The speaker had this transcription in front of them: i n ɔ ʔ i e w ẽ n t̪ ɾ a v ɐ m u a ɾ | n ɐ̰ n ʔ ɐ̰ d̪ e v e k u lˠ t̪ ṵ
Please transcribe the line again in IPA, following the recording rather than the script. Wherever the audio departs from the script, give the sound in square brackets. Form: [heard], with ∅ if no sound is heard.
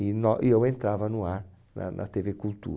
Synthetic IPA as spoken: i n ɔ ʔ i e w ẽ n t̪ ɾ a v ɐ [n] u a ɾ | n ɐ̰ n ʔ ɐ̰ [t̪] e v e k u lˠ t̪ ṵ